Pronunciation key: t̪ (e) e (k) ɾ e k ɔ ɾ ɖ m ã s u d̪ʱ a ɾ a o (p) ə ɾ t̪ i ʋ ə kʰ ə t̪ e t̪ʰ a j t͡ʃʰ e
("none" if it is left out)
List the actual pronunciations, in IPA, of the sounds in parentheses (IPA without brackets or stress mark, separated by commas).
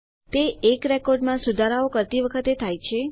e, k, k